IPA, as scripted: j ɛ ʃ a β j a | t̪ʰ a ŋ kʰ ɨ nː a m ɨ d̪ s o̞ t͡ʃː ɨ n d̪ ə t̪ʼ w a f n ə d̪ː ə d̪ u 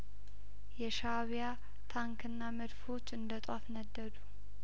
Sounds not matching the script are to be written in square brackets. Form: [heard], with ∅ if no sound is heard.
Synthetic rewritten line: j ɛ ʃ a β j a | t̪ʰ a ŋ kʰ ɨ nː a m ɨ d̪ [f] o̞ t͡ʃː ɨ n d̪ ə t̪ʼ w a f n ə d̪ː ə d̪ u

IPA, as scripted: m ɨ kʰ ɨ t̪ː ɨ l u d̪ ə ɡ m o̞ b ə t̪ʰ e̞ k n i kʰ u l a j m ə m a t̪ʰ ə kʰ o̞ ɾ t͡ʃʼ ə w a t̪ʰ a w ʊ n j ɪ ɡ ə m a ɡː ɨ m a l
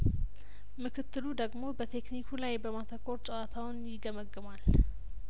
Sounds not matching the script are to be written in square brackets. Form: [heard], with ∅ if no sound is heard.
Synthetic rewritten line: m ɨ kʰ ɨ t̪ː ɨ l u d̪ ə ɡ m o̞ b ə t̪ʰ e̞ k n i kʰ u l a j [b] ə m a t̪ʰ ə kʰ o̞ ɾ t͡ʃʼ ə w a t̪ʰ a w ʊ n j ɪ ɡ ə m [ə] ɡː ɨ m a l

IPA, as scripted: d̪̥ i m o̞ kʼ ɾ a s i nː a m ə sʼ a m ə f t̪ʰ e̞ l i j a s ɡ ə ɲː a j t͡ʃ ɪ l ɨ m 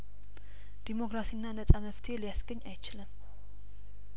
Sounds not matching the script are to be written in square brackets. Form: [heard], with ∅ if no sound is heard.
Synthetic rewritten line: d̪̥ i m o̞ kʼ ɾ a s i nː a [n] ə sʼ a m ə f t̪ʰ e̞ l i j a s ɡ ə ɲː a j t͡ʃ ɪ l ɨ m

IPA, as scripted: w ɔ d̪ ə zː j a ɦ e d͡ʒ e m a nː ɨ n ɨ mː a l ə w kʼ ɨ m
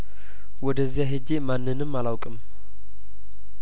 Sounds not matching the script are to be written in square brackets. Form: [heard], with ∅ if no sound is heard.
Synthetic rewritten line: w ɔ d̪ ə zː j a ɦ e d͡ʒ e m a nː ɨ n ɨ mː a l [a] w kʼ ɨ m

